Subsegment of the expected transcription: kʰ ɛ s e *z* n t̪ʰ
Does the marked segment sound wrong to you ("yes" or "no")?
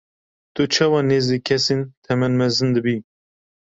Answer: yes